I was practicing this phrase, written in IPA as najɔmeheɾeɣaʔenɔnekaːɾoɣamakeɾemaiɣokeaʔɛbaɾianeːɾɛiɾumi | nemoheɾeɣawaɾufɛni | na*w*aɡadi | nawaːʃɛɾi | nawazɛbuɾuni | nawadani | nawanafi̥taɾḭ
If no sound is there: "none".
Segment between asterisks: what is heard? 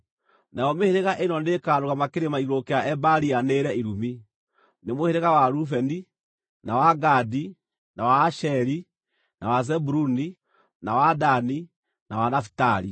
w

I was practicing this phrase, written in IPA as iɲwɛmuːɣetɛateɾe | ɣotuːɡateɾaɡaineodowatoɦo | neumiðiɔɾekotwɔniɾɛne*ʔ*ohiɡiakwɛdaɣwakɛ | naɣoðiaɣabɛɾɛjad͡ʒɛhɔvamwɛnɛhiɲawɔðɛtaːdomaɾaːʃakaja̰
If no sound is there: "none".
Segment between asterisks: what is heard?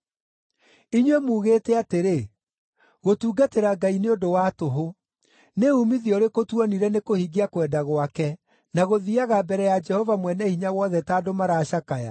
k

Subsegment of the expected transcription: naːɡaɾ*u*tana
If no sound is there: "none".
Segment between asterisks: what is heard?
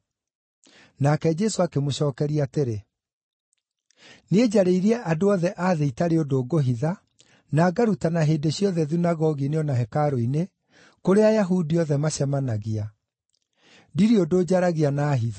u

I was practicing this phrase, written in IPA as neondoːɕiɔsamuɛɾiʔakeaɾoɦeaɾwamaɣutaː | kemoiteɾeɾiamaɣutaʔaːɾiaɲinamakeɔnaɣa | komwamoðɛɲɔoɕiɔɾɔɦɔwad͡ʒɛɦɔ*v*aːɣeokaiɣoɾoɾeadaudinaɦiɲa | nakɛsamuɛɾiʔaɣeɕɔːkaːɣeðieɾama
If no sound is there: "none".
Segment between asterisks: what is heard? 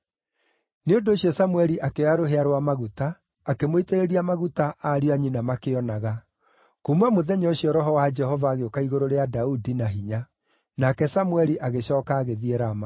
v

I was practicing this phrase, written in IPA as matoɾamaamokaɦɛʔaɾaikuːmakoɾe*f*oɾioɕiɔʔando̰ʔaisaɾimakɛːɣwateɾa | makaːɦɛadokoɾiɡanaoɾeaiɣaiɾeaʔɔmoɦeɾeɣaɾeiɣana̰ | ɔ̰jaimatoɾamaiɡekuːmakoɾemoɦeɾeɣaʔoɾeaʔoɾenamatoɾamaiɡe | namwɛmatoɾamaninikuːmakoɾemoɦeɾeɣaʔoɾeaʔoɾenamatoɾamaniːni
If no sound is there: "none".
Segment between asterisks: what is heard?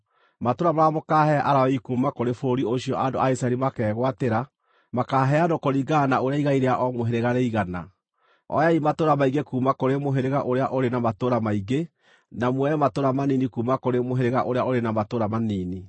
f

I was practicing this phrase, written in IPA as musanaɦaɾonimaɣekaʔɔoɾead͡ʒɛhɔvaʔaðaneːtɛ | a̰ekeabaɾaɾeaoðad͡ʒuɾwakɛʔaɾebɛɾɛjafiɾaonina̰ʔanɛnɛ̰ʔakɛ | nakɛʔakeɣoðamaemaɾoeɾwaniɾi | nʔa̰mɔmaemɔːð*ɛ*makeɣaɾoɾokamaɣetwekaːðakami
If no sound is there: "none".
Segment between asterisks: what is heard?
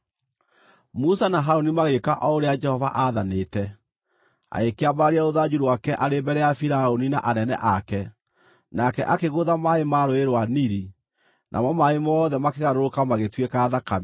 ɛ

